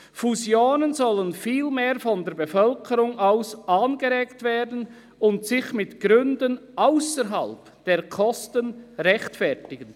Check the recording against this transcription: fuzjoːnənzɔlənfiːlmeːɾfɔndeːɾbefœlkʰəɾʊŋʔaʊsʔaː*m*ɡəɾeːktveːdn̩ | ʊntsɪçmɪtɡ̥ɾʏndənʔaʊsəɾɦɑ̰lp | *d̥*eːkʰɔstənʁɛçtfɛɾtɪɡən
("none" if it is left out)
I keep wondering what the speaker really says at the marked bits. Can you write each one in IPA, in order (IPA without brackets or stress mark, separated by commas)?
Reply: n, d̥